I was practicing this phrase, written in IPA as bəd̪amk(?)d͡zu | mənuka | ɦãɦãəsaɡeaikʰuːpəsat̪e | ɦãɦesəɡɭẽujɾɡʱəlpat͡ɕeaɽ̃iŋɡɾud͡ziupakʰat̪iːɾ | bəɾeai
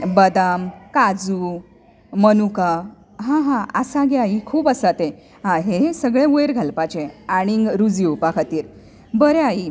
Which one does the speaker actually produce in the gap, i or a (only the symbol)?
a